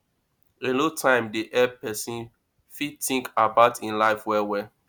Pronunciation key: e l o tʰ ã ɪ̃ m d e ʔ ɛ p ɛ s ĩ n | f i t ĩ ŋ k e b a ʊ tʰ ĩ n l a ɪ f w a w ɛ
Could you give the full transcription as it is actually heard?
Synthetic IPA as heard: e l o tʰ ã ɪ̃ m d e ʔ ɛ p ɛ s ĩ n | f i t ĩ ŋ k a b a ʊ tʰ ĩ n l a ɪ f w ɛ w ɛ